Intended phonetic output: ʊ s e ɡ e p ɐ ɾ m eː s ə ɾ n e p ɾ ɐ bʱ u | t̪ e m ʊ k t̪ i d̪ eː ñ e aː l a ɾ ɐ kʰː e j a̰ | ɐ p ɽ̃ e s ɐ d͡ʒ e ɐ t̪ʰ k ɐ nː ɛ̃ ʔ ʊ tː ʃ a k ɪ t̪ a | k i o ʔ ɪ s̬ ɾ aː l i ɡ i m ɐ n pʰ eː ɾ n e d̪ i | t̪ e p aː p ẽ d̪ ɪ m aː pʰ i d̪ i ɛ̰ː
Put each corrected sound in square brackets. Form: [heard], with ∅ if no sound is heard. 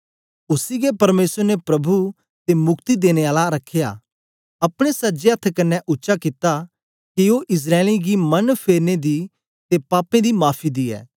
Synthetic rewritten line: ʊ s [i] ɡ e p ɐ ɾ m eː s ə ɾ n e p ɾ ɐ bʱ u | t̪ e m ʊ k t̪ i d̪ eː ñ e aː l a ɾ ɐ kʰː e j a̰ | ɐ p ɽ̃ e s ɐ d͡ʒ e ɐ t̪ʰ k ɐ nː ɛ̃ ʔ ʊ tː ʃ a k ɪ t̪ a | k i o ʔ ɪ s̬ ɾ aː l i ɡ i m ɐ n pʰ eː ɾ n e d̪ i | t̪ e p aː p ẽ d̪ [i] m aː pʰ i d̪ i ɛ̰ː